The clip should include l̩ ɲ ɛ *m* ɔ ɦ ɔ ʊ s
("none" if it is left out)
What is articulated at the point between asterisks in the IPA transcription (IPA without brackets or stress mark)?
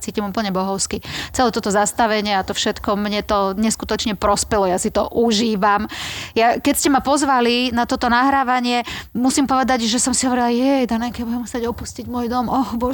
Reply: b